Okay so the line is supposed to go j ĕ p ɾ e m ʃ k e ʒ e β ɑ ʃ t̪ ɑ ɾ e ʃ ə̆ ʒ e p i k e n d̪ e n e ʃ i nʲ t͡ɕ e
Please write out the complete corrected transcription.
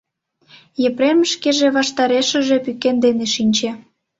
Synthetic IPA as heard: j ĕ p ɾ e m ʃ k e ʒ e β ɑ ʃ t̪ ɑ ɾ e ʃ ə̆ ʒ e p y k e n d̪ e n e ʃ i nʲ t͡ɕ e